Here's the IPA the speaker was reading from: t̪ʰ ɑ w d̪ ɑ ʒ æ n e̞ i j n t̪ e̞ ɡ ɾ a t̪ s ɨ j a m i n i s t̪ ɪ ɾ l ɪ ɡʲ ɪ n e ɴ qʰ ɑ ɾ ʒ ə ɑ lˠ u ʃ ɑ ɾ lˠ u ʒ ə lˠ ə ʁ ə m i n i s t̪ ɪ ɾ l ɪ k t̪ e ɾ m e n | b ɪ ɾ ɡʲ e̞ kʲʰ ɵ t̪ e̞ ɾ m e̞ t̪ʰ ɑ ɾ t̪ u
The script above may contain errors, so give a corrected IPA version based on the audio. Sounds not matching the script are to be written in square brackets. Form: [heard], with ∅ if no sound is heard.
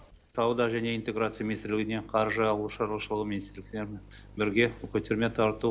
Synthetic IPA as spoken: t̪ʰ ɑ w d̪ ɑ ʒ æ n e̞ i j n t̪ e̞ ɡ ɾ a t̪ s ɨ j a m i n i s t̪ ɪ ɾ l ɪ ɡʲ ɪ n e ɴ qʰ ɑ ɾ ʒ ə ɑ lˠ u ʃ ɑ ɾ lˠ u [ʃ] ə lˠ ə ʁ ə m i n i s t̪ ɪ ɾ l ɪ k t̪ e ɾ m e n | b ɪ ɾ ɡʲ e̞ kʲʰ ɵ t̪ e̞ ɾ m e̞ t̪ʰ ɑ ɾ t̪ u